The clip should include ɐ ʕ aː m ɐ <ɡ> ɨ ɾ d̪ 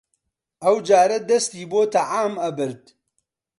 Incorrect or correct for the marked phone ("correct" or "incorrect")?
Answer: incorrect